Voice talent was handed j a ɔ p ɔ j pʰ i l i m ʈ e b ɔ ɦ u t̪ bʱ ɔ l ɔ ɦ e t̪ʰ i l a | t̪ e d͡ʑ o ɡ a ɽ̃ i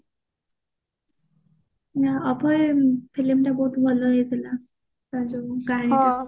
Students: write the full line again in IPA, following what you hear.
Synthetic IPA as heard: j a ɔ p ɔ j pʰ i l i m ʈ a b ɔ ɦ u t̪ bʱ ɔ l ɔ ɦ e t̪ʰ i l a | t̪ a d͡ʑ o ɡ a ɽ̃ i